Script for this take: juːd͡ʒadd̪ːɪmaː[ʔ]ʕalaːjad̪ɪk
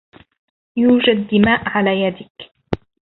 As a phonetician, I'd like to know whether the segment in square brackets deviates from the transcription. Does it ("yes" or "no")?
no